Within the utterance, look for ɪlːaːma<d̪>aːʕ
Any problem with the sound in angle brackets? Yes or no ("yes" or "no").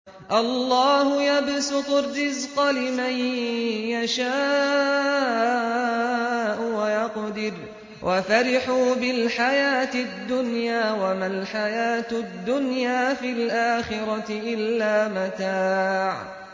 yes